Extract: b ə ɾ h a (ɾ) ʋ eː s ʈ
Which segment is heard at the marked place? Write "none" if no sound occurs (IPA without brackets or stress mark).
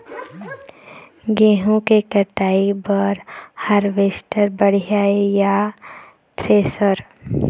ɾ